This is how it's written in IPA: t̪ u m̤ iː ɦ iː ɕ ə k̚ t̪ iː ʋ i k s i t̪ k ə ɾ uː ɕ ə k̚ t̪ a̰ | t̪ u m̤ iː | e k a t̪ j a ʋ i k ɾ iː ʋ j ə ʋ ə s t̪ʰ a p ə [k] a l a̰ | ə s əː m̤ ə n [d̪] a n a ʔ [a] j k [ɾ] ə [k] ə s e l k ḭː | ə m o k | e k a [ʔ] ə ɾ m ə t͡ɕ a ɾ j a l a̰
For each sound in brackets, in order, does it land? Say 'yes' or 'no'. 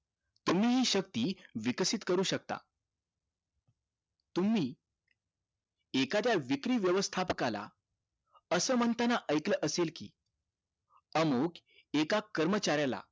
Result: yes, no, no, no, no, no

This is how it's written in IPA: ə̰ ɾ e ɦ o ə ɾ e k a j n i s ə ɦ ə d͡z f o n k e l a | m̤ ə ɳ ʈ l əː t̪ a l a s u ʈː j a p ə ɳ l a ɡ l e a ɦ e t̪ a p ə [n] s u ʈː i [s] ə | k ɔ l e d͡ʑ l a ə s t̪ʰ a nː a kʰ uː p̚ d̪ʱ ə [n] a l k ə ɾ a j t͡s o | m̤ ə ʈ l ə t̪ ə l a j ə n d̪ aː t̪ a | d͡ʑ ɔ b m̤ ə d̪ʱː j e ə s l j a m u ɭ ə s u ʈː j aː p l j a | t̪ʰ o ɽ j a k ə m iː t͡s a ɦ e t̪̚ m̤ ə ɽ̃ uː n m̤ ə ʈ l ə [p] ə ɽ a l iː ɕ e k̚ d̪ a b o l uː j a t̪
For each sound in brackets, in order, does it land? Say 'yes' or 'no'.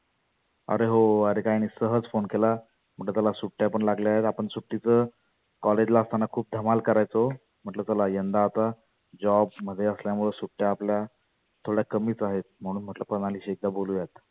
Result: no, no, no, yes

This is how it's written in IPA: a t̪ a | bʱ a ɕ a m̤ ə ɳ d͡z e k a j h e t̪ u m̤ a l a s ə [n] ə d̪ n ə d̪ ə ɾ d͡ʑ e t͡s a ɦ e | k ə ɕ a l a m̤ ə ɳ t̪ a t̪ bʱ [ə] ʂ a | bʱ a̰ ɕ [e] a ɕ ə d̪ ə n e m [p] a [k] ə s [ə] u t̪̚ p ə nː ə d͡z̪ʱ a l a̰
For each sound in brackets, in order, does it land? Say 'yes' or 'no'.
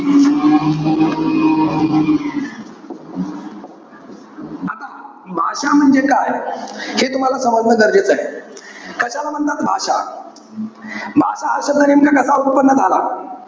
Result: no, no, no, no, yes, no

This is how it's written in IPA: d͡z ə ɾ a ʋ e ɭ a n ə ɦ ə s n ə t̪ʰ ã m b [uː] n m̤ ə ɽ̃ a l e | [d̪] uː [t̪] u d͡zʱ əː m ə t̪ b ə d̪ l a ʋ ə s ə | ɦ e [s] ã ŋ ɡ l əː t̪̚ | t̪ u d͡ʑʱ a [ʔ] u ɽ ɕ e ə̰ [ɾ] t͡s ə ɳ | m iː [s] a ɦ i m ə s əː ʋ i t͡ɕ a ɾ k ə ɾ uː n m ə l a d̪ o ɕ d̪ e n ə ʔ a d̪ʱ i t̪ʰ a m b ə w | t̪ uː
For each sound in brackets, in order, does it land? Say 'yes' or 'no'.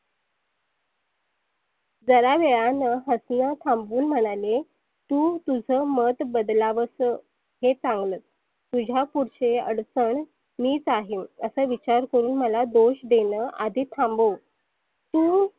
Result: yes, no, yes, no, no, no, no

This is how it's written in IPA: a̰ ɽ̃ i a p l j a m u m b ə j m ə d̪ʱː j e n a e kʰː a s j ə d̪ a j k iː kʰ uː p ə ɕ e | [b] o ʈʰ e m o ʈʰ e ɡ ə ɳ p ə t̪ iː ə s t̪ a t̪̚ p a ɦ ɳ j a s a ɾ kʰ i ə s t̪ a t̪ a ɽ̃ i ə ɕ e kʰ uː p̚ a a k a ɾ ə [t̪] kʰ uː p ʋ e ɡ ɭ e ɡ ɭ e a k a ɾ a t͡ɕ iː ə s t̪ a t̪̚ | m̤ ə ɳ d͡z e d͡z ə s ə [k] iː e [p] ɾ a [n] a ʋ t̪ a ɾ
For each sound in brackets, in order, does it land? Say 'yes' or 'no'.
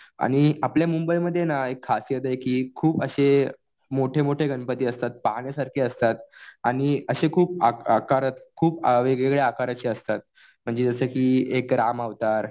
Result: no, yes, yes, no, no

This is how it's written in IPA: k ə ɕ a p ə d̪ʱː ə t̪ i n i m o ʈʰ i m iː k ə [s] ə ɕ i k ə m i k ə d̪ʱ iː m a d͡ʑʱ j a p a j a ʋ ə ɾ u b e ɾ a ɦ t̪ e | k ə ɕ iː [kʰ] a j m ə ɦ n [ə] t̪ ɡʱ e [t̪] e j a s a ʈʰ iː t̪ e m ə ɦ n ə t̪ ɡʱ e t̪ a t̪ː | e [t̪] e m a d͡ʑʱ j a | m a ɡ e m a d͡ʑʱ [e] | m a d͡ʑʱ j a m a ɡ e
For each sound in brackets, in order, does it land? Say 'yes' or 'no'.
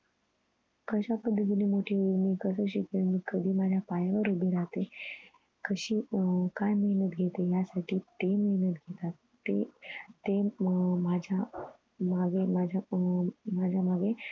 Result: yes, no, yes, yes, yes, no

